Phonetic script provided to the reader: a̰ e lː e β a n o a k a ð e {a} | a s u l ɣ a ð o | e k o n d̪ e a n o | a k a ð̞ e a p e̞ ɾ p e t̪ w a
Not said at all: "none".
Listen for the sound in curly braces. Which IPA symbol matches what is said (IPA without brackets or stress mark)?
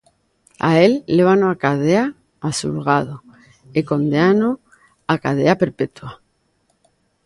a